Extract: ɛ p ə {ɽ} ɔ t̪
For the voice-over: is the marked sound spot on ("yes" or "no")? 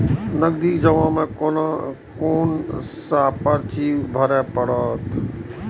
yes